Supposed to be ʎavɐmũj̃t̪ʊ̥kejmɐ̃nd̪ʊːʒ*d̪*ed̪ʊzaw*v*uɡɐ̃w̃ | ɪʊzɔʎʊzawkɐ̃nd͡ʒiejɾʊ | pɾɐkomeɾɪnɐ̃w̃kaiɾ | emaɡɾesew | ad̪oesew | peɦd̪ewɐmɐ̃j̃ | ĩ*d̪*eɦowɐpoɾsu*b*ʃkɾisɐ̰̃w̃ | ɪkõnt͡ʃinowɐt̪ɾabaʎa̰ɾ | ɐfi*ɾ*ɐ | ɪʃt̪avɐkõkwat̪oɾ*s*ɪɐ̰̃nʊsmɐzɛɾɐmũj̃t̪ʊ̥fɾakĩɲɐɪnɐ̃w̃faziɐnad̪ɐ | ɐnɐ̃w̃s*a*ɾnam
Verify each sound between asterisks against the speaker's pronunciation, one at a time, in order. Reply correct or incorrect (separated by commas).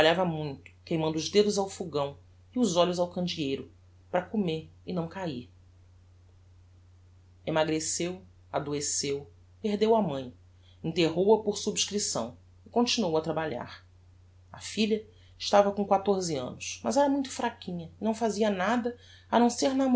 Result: correct, incorrect, incorrect, correct, incorrect, incorrect, incorrect